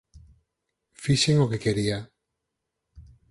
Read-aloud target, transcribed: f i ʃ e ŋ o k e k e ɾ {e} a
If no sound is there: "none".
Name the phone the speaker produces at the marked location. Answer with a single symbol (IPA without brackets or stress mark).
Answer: i